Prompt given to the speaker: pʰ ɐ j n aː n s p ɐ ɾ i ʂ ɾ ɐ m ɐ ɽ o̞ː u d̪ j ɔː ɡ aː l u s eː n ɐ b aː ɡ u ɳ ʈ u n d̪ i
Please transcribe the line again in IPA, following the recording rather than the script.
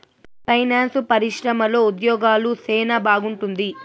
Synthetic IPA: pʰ ɐ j n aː n s p ɐ ɾ i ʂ ɾ ɐ m ɐ l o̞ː u d̪ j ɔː ɡ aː l u s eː n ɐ b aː ɡ u ɳ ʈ u n d̪ i